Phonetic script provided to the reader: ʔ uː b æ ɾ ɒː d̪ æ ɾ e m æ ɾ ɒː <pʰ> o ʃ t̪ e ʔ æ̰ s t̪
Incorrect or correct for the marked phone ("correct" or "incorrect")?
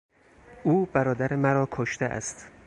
incorrect